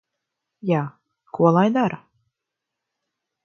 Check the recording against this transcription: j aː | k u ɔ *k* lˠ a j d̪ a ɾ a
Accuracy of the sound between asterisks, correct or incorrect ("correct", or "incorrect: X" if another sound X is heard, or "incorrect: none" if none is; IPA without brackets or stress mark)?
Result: incorrect: none